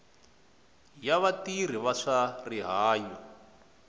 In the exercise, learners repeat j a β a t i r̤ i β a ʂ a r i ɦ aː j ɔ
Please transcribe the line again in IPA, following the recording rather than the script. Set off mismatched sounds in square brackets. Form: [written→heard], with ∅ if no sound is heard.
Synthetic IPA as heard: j a β a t i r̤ i β a ʂ a r i ɦ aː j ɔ